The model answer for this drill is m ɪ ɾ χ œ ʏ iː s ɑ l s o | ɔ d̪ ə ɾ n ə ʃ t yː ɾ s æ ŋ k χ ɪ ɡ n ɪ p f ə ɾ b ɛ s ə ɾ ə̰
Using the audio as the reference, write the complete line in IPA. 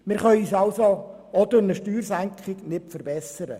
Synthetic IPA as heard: m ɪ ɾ χ œ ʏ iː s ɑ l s o | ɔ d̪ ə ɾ n ə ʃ t yː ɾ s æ ŋ k χ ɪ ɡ n ɪ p f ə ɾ b ɛ s ə ɾ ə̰